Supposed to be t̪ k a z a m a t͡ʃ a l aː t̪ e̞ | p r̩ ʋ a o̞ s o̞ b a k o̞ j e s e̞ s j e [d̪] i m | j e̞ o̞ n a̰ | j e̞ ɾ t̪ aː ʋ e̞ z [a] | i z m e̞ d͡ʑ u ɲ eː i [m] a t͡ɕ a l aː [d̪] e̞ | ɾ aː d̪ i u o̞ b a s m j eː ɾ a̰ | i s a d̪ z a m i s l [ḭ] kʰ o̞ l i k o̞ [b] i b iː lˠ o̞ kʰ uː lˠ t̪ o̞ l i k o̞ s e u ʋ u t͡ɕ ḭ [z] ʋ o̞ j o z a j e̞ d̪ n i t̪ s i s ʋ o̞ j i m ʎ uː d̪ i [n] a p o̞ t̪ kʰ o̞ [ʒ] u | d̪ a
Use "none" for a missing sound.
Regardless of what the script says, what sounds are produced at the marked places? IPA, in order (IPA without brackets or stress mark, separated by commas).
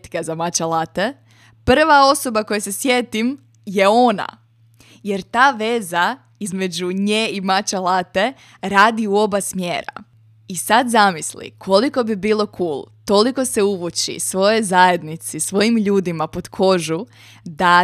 t̪, a, m, t̪, ḭ, b, s, m, ʒ